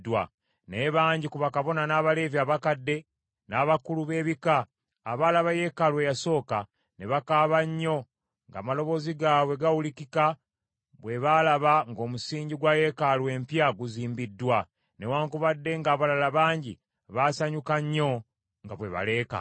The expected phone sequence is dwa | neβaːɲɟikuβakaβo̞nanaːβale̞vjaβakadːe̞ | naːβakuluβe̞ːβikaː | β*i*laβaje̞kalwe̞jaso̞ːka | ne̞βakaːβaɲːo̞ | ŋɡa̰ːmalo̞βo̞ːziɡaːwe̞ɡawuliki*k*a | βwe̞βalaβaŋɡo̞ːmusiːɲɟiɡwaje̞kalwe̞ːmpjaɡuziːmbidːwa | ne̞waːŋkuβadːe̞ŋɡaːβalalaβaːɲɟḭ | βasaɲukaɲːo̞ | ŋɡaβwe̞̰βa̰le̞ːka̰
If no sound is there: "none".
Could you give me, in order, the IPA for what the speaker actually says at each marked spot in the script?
a, k

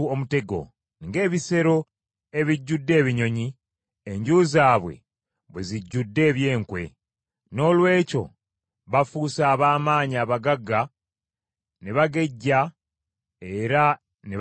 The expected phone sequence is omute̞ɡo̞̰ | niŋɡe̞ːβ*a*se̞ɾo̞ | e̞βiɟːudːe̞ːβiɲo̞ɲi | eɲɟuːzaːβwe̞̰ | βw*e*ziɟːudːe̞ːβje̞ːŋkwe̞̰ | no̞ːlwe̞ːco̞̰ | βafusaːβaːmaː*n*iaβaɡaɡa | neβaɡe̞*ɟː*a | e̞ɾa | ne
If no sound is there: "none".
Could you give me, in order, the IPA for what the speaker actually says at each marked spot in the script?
i, e, ɲ, ɟː

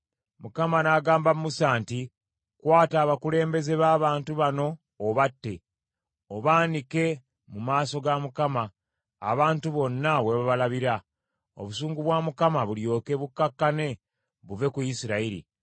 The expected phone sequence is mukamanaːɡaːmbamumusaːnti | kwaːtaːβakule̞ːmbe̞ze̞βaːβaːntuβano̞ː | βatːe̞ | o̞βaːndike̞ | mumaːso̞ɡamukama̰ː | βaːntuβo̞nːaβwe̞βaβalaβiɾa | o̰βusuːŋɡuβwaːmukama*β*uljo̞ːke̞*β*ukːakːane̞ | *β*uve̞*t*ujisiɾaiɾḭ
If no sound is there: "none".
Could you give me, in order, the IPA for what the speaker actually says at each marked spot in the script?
β, β, β, k

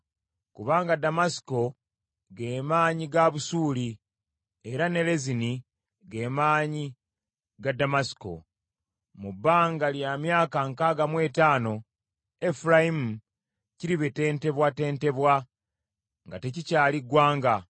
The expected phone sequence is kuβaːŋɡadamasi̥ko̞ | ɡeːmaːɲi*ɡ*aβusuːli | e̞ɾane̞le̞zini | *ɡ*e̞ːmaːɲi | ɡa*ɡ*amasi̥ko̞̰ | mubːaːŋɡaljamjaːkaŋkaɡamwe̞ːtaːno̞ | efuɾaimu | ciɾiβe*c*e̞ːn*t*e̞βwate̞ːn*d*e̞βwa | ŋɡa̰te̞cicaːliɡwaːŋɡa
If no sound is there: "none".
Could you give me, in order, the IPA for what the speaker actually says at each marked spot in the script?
ɡ, ɡ, d, t, t, t

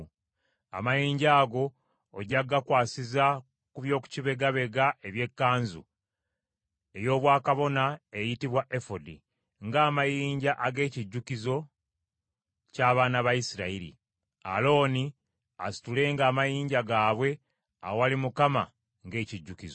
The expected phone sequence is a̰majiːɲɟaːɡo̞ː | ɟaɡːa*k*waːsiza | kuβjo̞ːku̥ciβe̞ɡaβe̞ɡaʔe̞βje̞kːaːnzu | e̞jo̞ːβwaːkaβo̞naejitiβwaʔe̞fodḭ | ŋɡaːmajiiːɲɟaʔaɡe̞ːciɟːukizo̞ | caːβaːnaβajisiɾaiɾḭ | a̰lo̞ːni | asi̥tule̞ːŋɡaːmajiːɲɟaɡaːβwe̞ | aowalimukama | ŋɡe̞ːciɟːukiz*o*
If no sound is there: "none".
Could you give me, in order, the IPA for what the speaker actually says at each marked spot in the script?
k, o

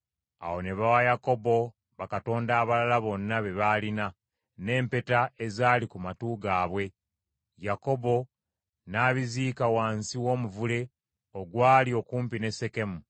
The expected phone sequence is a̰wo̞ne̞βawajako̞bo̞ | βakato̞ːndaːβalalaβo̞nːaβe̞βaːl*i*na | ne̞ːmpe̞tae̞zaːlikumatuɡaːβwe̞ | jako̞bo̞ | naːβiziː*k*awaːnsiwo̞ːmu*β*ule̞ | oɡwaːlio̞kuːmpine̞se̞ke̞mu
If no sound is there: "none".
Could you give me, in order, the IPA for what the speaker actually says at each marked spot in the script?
i, k, v

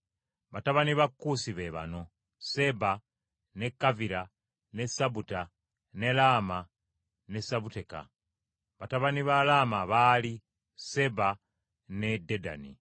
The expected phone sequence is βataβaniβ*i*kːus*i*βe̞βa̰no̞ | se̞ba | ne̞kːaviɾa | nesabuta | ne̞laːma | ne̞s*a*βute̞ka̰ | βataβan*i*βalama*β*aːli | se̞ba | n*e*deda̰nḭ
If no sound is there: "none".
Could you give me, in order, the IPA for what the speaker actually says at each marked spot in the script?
a, i, a, i, β, e

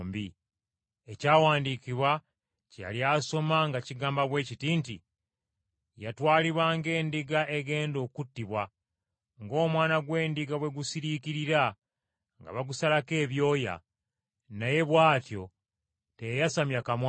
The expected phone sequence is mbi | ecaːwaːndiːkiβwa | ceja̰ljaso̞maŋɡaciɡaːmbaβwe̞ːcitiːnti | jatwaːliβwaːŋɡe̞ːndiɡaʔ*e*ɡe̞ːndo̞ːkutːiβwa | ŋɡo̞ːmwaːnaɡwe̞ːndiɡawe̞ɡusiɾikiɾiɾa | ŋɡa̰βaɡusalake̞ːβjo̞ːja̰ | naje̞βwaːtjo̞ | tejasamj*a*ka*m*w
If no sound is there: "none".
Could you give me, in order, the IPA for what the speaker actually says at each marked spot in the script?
e, a, m

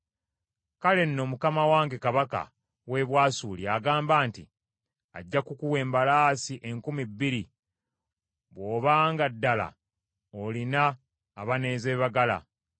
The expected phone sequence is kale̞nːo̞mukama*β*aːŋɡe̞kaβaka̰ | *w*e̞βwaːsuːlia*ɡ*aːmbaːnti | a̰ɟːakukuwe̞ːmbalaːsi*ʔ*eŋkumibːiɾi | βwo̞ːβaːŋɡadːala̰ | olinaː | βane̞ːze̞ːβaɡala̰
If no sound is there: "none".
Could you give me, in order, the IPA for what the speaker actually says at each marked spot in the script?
w, w, ɡ, ʔ

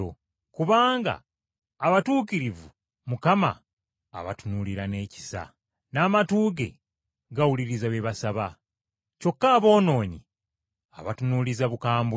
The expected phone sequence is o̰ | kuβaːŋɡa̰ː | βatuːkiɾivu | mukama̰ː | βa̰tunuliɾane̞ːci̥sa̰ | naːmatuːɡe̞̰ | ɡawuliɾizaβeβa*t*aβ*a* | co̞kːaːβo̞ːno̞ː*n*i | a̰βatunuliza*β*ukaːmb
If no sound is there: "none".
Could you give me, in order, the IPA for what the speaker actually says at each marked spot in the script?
s, a, ɲ, β

